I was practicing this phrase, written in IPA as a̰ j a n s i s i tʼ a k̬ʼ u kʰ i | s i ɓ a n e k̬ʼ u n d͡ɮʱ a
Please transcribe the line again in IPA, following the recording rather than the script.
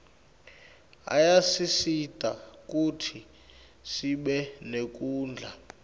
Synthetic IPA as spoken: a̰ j a s i s i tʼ a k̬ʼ u tʰ i | s i ɓ ɛ n e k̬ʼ uː n d͡ɮʱ a